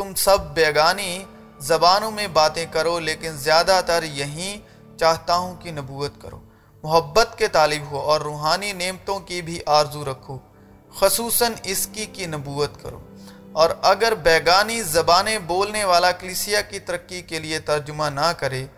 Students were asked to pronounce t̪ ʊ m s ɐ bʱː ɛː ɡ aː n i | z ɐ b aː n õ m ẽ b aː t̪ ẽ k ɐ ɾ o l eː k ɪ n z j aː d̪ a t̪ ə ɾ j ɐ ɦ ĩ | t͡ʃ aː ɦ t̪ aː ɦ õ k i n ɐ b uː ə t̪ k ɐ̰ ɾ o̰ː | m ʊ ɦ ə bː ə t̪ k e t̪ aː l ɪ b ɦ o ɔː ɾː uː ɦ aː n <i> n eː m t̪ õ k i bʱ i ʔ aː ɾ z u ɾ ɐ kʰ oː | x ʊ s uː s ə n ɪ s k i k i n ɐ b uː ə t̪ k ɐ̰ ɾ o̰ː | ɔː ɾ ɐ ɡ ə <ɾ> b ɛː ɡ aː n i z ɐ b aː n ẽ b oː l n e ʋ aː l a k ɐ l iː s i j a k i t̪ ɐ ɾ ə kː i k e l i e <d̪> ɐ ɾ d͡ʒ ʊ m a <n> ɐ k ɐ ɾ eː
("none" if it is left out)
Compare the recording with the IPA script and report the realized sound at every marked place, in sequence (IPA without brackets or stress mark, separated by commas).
i, ɾ, t̪, n